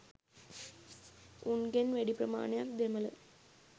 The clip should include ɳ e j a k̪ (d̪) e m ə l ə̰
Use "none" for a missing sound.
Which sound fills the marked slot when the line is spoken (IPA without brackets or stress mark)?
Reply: d̪